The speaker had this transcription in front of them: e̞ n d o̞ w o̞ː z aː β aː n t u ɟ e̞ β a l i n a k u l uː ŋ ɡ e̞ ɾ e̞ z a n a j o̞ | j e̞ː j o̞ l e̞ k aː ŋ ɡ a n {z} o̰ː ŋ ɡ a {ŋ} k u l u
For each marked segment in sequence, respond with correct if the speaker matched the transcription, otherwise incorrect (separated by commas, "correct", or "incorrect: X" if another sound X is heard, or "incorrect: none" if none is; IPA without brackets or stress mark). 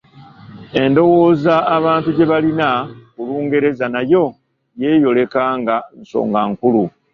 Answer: incorrect: s, correct